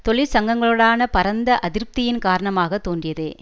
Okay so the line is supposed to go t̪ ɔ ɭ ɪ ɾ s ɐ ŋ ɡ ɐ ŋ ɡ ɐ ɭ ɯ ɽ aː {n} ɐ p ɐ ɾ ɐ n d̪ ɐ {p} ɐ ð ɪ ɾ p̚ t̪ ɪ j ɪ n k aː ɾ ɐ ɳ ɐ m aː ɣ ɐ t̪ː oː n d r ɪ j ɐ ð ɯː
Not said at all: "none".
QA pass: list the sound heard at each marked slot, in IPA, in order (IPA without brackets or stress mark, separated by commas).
n, ʔ